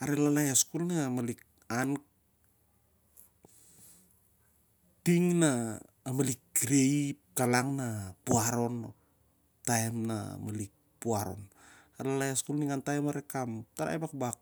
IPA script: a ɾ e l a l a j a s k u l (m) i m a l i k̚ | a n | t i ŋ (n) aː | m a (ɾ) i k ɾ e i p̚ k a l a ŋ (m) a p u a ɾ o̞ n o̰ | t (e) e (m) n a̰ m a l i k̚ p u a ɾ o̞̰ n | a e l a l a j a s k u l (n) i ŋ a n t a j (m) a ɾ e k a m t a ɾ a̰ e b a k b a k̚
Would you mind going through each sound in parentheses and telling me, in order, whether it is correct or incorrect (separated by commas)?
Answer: incorrect, correct, incorrect, incorrect, incorrect, correct, correct, correct